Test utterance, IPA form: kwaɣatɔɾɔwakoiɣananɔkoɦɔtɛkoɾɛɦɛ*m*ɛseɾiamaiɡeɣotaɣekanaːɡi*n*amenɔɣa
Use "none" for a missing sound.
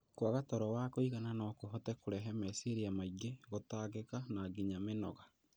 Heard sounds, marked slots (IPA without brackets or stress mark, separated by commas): m, ɲ